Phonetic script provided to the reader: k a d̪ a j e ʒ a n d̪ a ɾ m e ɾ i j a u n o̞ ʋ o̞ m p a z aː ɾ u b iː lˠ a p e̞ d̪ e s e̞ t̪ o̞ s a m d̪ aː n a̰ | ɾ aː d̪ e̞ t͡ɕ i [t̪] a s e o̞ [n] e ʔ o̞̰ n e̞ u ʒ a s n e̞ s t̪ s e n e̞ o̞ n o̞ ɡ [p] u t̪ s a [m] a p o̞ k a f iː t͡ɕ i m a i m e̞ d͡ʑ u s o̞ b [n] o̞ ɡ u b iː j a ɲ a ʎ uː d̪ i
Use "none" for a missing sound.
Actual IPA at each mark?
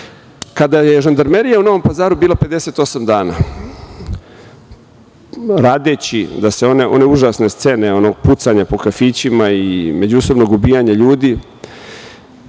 d̪, n, p, ɲ, n

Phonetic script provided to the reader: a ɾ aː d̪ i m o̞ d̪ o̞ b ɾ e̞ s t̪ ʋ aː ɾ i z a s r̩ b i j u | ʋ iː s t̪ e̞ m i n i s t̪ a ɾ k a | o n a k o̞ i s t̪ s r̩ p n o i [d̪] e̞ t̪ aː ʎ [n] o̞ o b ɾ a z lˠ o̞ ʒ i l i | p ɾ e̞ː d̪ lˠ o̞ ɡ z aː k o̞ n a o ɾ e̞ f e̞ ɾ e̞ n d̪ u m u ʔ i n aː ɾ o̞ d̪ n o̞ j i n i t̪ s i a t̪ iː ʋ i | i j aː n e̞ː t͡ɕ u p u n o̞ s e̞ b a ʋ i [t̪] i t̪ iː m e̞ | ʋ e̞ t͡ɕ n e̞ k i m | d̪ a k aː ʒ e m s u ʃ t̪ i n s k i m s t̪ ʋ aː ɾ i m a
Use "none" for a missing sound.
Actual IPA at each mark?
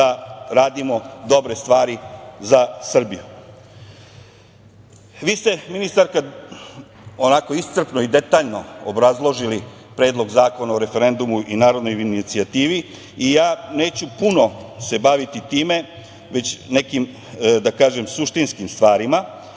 d̪, n, t̪

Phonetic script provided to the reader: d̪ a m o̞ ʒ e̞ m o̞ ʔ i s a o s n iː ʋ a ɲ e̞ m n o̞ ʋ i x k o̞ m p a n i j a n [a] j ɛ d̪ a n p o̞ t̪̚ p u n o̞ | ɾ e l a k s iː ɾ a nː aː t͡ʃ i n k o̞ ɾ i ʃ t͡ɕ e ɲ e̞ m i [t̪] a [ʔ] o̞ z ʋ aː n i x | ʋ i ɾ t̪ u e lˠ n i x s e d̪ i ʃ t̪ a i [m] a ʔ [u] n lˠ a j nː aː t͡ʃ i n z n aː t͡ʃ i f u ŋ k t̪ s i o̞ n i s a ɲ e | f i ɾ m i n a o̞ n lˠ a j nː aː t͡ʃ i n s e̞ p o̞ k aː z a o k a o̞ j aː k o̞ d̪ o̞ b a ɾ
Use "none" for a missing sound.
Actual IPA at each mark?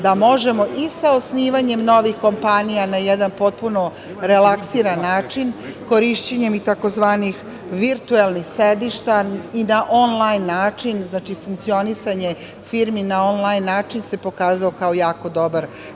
a, t̪, k, n, o

